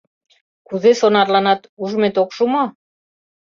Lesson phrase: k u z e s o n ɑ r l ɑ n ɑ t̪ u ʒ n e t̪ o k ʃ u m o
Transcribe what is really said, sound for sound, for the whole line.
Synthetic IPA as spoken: k u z e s o n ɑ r l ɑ n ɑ t̪ u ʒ m e t̪ o k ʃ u m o